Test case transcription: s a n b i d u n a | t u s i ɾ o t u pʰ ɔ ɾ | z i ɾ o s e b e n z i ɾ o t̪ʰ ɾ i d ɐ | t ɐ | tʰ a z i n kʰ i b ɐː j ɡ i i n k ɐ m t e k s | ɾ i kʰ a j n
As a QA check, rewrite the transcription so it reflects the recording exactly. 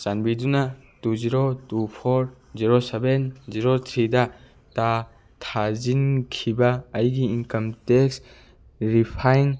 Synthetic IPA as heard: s a n b i d u n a | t u z i ɾ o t u pʰ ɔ ɾ | z i ɾ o s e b e n z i ɾ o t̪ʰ ɾ i d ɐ | t a | tʰ a z i n kʰ i b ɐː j ɡ i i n k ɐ m t e k s | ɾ i pʰ a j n